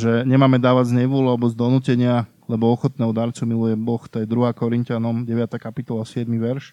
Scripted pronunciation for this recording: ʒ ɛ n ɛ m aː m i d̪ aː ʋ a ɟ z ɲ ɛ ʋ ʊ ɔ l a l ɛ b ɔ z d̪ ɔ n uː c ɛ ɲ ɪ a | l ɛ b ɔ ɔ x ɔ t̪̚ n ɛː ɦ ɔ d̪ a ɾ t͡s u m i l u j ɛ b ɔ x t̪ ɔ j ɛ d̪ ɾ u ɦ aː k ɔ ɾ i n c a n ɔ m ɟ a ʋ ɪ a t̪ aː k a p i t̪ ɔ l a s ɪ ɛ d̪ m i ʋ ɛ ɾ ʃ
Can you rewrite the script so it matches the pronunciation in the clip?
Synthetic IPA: ʒ ɛ ɲ ɛ m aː m ɛ d̪ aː ʋ a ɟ z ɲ ɛ ʋ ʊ ɔ l a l ɛ b ɔ z d̪ ɔ n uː c ɛ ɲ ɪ a | l ɛ b ɔ ɔ x ɔ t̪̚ n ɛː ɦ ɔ d̪ a ɾ t͡s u m i l u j ɛ b ɔ x t̪ ɔ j ɛ d̪ ɾ u ɦ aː k ɔ ɾ i n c a n ɔ m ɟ ɛ ʋ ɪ a t̪ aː k a p i t̪ ɔ l a s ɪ ɛ d̪ m i ʋ ɛ ɾ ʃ